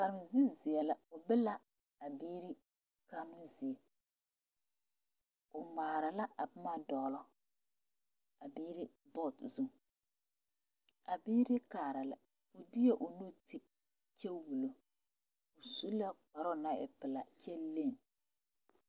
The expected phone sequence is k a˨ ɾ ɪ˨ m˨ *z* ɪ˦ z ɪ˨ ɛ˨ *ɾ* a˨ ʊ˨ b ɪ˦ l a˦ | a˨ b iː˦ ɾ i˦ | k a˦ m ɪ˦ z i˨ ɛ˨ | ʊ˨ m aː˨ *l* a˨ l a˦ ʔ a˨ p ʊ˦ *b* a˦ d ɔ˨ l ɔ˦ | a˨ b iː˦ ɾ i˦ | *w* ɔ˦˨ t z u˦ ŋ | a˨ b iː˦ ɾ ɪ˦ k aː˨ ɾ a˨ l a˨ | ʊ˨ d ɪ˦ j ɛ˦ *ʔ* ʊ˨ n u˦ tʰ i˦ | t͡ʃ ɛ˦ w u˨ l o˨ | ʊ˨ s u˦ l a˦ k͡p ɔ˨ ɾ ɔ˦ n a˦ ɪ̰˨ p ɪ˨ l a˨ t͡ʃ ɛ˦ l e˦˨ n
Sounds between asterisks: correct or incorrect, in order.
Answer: correct, incorrect, incorrect, incorrect, incorrect, correct

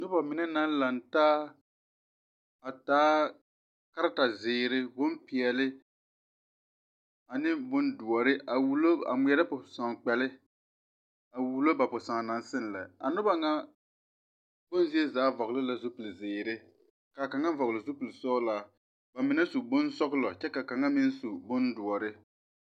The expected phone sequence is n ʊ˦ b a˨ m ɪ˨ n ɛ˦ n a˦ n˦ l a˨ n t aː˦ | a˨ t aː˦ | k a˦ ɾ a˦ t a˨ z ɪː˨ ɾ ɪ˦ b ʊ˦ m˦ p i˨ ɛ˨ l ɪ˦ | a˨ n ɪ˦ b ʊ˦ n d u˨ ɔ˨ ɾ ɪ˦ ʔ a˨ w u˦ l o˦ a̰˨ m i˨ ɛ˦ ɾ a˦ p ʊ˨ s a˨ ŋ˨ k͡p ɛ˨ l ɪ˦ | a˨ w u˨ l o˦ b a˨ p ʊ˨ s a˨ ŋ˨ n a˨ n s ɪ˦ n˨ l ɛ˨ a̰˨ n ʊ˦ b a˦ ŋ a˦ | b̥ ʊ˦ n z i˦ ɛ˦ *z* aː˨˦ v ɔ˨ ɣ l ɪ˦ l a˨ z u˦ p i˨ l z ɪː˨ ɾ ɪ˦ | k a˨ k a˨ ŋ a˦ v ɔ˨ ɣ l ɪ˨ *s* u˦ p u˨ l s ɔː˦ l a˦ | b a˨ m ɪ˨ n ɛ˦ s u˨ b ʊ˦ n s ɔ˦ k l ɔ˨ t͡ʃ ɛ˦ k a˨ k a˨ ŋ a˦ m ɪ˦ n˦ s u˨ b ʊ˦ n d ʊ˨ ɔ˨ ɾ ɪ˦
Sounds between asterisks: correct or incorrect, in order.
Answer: correct, incorrect

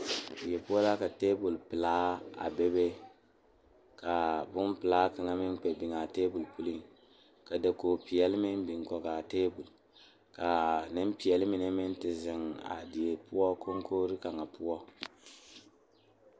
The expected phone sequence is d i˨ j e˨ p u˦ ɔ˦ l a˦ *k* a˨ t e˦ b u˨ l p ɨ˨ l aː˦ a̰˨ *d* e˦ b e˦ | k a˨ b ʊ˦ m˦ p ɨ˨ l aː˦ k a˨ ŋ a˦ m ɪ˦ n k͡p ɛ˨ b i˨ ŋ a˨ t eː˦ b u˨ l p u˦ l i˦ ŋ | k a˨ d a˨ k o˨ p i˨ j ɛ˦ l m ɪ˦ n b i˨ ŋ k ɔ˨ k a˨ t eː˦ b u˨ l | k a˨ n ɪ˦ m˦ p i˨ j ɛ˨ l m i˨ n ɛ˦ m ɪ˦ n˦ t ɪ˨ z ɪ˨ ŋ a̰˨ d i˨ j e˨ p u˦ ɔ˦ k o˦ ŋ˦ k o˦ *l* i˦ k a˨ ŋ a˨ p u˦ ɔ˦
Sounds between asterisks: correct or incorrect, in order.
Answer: correct, incorrect, incorrect

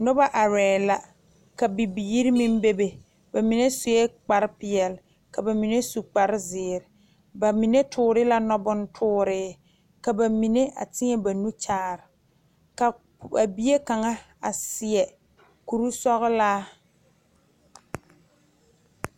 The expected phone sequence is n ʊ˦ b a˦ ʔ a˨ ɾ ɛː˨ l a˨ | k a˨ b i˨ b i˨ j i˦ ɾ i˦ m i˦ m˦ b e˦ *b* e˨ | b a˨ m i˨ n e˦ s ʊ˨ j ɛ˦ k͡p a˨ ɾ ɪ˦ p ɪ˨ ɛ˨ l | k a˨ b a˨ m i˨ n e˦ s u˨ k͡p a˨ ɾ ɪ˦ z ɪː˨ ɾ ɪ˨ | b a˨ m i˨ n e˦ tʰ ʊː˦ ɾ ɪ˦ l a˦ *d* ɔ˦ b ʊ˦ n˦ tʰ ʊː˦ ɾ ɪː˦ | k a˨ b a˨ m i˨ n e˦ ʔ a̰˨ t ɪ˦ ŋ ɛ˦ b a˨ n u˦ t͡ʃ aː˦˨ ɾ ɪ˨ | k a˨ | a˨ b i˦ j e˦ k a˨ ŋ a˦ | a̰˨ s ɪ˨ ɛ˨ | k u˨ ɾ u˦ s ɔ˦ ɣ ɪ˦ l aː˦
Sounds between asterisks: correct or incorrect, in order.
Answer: correct, incorrect

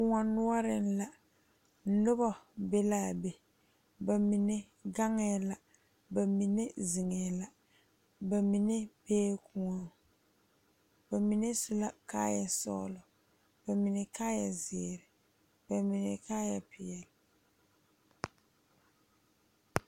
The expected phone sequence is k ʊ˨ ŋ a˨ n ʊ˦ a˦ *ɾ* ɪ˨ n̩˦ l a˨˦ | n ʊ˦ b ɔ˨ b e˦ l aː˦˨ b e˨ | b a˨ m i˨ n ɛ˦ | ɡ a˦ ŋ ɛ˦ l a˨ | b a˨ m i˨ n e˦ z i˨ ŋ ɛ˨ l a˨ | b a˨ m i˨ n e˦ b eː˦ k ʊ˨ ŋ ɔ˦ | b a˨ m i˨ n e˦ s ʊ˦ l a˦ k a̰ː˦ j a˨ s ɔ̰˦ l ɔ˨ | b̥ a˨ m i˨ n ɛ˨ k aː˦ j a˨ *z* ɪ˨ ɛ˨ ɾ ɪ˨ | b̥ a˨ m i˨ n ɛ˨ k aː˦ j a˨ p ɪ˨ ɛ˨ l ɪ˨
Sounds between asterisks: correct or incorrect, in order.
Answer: correct, correct

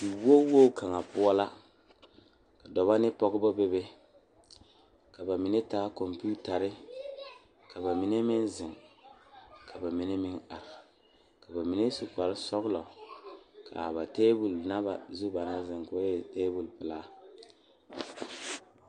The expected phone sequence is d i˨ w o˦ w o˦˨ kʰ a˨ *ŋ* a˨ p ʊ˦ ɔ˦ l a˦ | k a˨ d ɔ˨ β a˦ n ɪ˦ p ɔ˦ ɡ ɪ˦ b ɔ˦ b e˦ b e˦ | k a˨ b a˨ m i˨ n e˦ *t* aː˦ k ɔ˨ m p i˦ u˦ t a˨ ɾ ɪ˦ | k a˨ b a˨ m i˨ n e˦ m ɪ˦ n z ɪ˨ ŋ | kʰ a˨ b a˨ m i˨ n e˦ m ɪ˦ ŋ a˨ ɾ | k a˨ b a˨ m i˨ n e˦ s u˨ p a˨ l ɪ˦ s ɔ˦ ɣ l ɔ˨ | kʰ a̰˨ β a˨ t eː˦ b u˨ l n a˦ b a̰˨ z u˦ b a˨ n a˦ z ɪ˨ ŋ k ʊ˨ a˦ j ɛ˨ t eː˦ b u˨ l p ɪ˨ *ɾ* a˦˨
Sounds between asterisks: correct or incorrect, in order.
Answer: correct, correct, incorrect

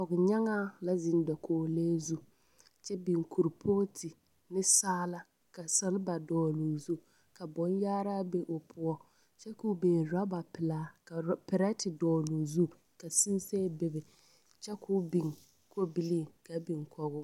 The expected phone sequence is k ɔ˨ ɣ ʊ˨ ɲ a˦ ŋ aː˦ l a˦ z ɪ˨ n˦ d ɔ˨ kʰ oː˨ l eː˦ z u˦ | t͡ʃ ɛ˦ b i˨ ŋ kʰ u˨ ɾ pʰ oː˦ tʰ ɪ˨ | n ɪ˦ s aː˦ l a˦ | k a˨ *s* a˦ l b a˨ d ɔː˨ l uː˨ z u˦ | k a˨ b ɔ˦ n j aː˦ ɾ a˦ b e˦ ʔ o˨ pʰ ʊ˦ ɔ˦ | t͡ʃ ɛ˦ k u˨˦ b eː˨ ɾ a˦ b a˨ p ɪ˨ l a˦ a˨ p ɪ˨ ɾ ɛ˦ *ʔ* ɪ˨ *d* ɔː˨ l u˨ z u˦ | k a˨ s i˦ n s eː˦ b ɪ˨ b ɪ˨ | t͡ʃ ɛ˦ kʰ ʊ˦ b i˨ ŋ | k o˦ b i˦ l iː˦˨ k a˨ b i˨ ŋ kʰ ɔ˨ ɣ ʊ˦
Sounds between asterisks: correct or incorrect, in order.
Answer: correct, incorrect, correct

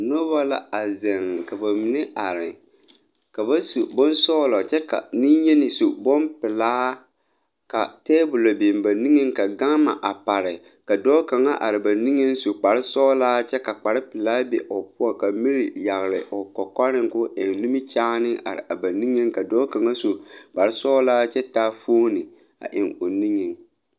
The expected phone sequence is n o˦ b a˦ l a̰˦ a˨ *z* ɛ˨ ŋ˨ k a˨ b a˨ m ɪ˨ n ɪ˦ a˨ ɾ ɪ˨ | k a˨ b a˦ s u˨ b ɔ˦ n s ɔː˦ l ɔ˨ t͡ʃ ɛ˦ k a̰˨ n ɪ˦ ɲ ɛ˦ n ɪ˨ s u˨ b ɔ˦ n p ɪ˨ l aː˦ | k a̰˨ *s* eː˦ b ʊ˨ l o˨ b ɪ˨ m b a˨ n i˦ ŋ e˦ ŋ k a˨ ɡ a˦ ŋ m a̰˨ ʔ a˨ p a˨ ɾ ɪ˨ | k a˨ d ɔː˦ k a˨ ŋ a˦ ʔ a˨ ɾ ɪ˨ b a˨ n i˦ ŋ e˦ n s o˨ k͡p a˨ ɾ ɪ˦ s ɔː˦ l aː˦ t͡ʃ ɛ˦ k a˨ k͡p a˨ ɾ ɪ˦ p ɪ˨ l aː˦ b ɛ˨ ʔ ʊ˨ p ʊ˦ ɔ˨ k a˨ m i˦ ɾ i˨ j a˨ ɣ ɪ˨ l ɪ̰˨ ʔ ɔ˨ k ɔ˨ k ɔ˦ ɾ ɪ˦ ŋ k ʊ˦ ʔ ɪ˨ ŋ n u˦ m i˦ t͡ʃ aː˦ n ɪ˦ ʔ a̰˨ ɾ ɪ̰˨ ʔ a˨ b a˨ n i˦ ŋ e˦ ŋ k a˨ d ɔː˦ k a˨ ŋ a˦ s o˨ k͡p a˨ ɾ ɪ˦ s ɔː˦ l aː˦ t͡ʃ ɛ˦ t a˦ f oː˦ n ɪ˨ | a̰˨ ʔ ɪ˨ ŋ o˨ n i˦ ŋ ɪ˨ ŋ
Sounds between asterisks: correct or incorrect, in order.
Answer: correct, incorrect

